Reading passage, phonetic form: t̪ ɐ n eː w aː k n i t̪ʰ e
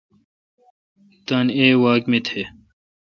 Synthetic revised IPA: t̪ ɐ n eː w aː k m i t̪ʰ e